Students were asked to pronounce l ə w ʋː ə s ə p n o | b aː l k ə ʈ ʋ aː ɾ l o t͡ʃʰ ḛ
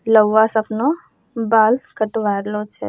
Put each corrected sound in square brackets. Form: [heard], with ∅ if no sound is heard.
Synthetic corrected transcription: l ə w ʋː [a] s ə p n o | b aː l k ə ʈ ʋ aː ɾ l o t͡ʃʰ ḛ